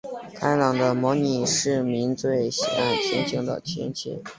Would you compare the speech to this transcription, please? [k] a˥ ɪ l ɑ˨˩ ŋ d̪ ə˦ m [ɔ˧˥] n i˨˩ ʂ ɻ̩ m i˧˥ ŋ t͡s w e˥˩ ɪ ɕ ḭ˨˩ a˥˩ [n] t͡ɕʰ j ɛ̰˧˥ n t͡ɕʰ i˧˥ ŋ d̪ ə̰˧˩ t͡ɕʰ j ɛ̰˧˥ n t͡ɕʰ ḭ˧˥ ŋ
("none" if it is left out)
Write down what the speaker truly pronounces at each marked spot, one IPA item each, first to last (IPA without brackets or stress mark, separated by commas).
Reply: kʰ, ɔ˧˥, n